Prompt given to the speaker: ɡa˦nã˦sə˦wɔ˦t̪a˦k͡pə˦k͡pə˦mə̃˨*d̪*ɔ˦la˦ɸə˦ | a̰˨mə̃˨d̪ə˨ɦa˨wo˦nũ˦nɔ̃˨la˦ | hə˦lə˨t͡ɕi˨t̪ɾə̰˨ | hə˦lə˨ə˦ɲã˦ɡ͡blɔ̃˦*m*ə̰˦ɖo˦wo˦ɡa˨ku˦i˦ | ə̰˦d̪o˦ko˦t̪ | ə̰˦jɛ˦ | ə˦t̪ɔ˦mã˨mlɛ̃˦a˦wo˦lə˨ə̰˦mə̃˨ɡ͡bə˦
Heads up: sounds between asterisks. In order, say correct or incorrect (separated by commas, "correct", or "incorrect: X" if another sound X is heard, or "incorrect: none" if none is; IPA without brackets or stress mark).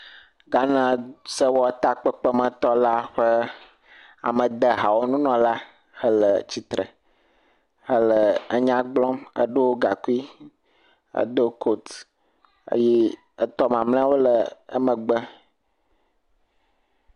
incorrect: t̪, correct